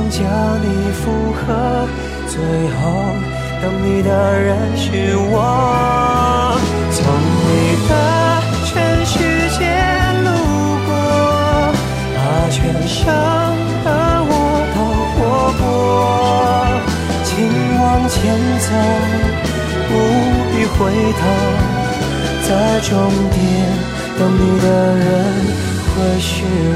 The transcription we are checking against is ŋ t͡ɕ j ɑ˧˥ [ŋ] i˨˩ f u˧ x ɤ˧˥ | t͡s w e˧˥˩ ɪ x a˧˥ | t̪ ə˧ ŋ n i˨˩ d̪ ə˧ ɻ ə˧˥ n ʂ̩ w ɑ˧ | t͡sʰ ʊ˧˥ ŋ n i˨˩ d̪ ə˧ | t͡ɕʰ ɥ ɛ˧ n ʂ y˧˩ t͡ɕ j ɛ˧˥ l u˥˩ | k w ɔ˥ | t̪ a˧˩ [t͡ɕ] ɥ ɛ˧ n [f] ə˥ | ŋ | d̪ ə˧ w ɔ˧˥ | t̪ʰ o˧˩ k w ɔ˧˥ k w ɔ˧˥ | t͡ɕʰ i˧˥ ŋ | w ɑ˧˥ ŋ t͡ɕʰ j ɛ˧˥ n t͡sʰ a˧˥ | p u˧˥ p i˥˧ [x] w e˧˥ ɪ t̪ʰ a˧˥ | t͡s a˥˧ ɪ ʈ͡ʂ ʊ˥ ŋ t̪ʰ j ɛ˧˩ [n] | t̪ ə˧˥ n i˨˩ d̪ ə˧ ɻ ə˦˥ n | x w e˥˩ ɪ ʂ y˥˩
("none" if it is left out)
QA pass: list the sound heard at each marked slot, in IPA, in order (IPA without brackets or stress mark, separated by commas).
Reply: n, t͡ɕʰ, ʂ, x, n